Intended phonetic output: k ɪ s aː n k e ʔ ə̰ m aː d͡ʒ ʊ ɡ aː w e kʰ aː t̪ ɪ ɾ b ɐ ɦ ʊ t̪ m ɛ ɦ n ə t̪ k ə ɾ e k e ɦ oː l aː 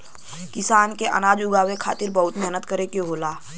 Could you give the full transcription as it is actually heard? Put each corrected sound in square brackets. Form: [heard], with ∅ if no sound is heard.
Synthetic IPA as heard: k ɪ s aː n k e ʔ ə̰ [n] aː d͡ʒ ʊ ɡ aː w e kʰ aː t̪ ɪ ɾ b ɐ ɦ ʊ t̪ m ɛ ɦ n ə t̪ k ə ɾ e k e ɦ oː l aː